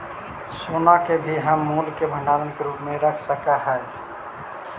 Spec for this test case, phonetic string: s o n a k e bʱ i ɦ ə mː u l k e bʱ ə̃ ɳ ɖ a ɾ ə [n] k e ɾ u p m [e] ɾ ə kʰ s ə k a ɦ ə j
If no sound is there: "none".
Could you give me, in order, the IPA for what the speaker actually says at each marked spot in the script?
n, e

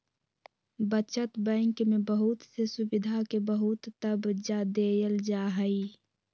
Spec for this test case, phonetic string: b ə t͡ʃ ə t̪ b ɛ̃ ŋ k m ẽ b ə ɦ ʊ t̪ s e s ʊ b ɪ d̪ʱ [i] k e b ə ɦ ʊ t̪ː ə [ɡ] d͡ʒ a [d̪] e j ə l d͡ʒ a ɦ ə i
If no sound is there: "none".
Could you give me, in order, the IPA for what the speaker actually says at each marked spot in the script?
a, b, d̪

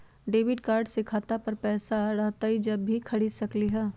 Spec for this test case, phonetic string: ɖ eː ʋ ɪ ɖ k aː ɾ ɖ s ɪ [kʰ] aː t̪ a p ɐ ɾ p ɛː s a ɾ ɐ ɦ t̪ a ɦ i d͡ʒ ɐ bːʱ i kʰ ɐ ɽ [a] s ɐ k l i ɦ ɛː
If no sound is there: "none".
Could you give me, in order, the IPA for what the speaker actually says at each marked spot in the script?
kʰ, i

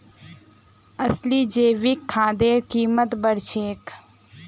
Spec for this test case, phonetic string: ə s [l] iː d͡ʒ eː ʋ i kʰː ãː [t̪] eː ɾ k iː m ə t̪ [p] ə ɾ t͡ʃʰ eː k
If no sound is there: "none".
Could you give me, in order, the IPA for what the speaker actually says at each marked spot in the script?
l, d̪, b

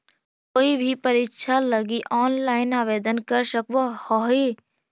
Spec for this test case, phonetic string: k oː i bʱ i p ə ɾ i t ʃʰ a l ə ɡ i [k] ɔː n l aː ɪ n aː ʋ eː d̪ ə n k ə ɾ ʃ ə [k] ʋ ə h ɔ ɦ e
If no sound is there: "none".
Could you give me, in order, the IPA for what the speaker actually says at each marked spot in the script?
ʔ, k

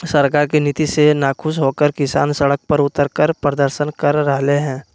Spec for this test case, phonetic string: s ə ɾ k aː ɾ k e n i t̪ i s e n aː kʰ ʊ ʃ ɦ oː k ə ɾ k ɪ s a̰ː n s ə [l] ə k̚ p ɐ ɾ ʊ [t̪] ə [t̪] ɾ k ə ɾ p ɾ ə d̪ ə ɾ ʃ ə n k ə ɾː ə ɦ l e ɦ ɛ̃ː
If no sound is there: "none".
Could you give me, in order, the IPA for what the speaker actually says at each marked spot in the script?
ɽ, t̪, none

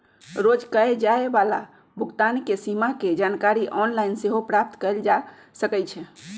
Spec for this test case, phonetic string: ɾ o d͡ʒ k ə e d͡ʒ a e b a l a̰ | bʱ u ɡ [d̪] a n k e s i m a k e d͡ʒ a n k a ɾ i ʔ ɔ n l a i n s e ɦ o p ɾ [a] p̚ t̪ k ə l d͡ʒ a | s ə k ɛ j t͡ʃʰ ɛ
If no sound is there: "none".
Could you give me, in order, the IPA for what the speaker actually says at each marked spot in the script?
t̪, a

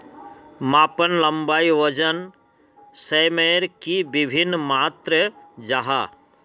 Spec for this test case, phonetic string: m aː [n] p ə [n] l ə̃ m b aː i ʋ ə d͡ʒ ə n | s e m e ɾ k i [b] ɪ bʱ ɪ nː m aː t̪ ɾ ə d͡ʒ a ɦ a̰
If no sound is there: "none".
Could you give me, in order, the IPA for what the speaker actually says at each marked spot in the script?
none, n, b

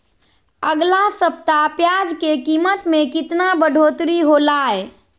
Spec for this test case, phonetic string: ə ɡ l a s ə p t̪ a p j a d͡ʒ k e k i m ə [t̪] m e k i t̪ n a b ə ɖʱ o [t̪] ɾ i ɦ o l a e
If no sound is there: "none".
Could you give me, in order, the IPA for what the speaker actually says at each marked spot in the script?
t̪, t̪

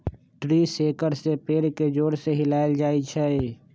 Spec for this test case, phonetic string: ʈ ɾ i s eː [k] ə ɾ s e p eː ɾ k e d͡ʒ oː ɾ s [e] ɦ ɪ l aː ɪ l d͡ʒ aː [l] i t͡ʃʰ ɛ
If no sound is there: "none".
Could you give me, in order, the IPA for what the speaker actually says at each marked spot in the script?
k, e, none

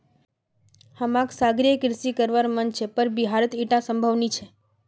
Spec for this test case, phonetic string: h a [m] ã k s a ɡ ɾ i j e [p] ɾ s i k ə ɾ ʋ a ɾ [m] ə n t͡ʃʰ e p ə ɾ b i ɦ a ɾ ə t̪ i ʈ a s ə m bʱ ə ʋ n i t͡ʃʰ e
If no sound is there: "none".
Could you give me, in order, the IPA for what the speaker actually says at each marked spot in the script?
m, k, m

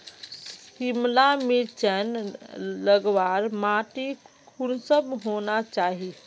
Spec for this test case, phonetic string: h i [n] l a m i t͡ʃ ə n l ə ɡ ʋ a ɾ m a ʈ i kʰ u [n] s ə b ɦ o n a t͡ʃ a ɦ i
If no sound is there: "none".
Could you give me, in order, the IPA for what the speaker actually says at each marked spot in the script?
m, n

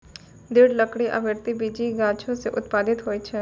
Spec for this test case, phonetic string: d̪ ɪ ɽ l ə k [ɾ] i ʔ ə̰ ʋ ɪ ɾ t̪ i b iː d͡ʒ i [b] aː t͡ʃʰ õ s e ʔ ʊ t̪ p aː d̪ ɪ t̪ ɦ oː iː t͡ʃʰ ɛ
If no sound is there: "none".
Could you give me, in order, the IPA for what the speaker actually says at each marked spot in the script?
ɽ, ɡ

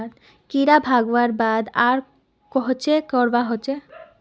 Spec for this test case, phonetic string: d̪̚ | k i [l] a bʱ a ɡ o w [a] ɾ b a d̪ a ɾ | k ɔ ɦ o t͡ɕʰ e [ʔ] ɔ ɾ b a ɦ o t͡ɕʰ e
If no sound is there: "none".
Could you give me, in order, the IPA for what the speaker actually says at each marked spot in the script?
ɾ, a, k

